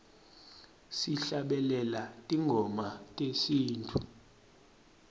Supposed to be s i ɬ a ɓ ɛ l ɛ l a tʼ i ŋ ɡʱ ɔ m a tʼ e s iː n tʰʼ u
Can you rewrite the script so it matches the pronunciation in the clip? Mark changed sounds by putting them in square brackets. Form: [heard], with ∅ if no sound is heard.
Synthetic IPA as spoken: s i ɬ a ɓ ɛ l ɛ l a tʼ i ŋ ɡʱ ɔ m a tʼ e s iː n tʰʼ u